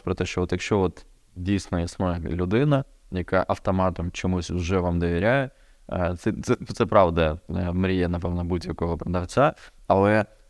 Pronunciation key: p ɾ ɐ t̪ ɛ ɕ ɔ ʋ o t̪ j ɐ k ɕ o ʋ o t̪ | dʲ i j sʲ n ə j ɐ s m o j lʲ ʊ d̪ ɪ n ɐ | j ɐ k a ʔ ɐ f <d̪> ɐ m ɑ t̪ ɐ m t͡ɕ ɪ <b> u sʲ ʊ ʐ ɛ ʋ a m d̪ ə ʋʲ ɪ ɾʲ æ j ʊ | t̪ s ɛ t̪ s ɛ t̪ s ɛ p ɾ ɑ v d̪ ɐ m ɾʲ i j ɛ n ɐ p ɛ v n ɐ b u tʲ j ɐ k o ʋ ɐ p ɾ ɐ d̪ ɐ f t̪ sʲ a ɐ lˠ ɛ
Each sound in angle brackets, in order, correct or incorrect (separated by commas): incorrect, incorrect